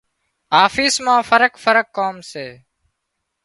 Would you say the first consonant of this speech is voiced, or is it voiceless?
voiceless